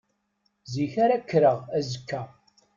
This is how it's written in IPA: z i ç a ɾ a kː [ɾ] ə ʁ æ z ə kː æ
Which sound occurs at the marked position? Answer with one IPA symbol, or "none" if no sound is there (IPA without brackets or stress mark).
ɾ